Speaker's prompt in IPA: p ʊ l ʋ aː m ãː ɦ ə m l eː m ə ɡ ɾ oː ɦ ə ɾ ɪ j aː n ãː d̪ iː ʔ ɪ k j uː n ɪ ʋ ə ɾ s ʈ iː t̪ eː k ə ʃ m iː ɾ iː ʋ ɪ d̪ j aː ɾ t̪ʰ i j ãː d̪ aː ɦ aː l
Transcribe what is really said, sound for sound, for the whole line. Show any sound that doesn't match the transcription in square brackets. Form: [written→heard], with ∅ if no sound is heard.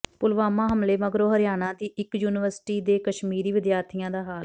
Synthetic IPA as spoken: p ʊ l ʋ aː m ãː ɦ ə m l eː m ə ɡ ɾ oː ɦ ə ɾ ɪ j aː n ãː d̪ iː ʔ ɪ k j uː n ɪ ʋ ə ɾ s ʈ iː [t̪→d̪] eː k ə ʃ m iː ɾ iː ʋ ɪ d̪ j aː ɾ t̪ʰ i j ãː d̪ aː ɦ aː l